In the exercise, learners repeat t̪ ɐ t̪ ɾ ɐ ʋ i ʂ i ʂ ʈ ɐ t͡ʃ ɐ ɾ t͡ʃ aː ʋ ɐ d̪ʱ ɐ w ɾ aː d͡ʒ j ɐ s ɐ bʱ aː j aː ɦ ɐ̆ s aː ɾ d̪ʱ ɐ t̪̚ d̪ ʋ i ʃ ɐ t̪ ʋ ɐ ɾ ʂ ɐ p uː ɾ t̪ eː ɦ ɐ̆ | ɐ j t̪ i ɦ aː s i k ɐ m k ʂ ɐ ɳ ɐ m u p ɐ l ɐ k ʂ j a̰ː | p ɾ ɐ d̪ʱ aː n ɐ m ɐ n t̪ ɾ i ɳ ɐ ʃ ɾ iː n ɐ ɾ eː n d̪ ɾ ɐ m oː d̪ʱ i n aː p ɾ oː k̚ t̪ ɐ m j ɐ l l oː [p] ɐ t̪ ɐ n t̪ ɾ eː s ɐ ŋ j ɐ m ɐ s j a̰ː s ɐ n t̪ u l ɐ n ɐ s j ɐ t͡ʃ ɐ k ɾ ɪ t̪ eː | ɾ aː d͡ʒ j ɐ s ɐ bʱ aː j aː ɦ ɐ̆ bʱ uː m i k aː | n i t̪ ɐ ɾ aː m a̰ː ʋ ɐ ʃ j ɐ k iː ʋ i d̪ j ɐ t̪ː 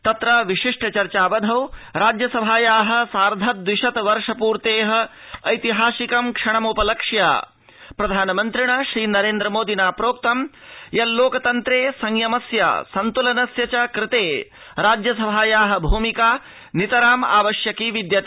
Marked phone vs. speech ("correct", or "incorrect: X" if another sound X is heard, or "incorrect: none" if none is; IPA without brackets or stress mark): incorrect: k